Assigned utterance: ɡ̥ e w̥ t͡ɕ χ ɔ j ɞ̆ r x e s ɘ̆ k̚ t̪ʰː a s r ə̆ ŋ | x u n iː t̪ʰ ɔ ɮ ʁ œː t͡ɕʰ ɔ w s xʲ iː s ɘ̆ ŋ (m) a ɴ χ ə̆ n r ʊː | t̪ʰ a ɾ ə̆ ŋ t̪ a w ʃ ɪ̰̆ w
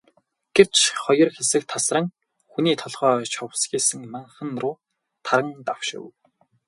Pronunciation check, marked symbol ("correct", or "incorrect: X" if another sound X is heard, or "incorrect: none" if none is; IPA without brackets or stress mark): correct